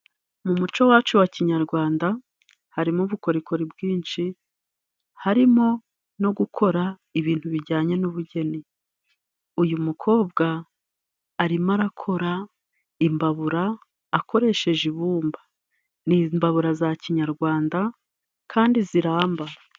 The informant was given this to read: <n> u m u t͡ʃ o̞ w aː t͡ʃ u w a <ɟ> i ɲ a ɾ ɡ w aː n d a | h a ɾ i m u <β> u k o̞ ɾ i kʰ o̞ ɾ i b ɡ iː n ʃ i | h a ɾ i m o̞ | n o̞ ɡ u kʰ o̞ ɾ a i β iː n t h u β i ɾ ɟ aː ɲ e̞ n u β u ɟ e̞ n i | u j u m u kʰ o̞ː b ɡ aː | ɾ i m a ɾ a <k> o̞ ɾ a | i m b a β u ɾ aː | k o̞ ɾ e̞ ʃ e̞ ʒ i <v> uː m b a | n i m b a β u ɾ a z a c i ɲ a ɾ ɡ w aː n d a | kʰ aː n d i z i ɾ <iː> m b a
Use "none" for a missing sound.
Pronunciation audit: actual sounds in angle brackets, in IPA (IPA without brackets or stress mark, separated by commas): m, c, β, kʰ, β, aː